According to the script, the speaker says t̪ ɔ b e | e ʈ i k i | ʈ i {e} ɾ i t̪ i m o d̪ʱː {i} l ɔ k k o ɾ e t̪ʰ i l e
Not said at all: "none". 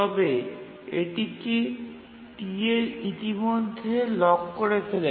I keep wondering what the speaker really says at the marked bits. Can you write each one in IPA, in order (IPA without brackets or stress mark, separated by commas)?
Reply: e, e